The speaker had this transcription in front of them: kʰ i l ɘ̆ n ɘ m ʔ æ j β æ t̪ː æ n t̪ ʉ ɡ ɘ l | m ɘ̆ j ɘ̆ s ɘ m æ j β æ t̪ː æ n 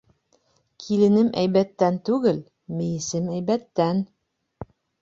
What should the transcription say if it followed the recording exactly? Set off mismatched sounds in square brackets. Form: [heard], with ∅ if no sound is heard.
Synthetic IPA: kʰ i l ɘ̆ n ɘ m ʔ æ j β æ t̪ː æ n t̪ ʉ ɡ ɘ l | m ɘ̆ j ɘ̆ s ɘ m æ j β æ t̪ː æ n

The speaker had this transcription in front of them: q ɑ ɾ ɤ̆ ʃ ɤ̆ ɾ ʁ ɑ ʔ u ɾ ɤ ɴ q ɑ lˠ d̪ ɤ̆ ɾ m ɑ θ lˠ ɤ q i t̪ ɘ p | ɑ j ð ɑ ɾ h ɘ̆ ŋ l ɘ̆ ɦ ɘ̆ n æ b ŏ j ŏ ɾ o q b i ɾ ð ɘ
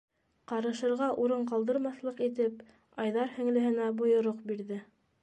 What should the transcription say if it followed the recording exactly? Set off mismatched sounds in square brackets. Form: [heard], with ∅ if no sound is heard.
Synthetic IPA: q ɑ ɾ ɤ̆ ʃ ɤ̆ ɾ ʁ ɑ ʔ u ɾ ɤ ɴ q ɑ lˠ d̪ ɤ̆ ɾ m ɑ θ lˠ ɤ q i t̪ ɘ p | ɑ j ð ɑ ɾ h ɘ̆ ŋ l ɘ̆ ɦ ɘ̆ n æ b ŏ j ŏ ɾ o q b i ɾ ð ɘ

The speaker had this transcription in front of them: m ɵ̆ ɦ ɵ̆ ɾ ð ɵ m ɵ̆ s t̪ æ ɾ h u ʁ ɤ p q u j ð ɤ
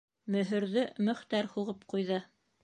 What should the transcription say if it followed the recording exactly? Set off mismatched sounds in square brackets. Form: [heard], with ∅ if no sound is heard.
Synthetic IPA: m ɵ̆ ɦ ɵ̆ ɾ ð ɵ m ɵ̆ [χ] t̪ æ ɾ h u ʁ ɤ p q u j ð ɤ

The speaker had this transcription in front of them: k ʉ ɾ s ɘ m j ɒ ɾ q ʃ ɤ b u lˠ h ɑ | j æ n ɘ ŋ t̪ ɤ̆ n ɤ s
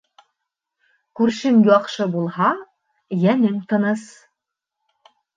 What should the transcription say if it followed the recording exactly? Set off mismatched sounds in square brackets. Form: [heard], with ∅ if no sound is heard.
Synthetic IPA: k ʉ ɾ [ʃ] ɘ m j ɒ [∅] q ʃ ɤ b u lˠ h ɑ | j æ n ɘ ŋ t̪ ɤ̆ n ɤ s

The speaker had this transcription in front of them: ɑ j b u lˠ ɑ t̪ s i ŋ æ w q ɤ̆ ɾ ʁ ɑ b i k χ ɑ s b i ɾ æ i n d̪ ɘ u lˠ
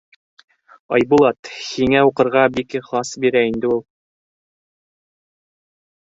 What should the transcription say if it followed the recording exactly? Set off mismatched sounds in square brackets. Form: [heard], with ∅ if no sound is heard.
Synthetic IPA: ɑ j b u lˠ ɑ t̪ [h] i ŋ æ [u] q ɤ̆ ɾ ʁ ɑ b i k χ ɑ s b i ɾ æ i n d̪ ɘ u lˠ

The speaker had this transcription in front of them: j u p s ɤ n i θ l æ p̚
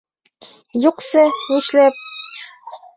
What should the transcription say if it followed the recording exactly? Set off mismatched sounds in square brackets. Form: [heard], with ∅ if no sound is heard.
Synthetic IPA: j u [q] s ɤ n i [ʃ] l æ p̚

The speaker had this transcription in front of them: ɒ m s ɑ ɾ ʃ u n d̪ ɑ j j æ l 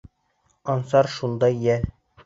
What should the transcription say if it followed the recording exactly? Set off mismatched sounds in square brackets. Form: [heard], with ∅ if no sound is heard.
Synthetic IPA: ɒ [n] s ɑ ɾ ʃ u n d̪ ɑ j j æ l

